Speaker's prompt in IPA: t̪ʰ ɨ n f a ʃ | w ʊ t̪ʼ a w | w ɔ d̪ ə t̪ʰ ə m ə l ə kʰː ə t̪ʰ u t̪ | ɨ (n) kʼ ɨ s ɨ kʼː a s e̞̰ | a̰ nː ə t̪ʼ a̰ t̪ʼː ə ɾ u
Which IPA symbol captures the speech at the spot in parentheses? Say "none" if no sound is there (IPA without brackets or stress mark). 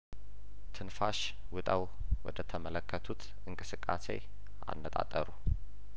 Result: ŋ